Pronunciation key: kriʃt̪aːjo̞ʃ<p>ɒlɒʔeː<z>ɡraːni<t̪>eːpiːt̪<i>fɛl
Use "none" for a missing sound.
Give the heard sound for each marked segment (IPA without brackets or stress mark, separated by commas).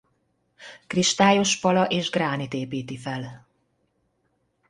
p, ʒ, t̪, i